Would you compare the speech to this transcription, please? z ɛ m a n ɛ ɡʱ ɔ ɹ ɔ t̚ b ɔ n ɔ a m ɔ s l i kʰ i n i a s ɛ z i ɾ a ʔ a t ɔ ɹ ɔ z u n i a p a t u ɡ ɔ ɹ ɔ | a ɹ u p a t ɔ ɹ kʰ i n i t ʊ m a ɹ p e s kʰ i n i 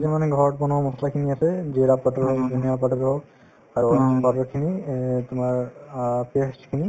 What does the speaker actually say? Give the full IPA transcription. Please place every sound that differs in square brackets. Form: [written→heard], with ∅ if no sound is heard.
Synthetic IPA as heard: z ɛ m a n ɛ ɡʱ ɔ ɹ ɔ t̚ b ɔ n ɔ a m ɔ s l [i→a] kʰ i n i a s ɛ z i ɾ a [ʔ→p] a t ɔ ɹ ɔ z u n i a p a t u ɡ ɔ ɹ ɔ | a ɹ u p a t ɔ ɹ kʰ i n i t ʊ m a ɹ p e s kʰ i n i